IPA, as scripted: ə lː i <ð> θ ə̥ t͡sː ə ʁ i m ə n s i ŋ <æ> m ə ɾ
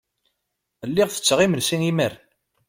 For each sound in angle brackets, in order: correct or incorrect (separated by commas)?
incorrect, incorrect